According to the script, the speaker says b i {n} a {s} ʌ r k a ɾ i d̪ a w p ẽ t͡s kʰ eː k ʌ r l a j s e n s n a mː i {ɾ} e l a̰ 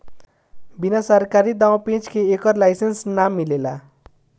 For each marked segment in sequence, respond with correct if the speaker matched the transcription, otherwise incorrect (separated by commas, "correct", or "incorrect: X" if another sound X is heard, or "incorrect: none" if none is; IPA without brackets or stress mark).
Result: correct, correct, incorrect: l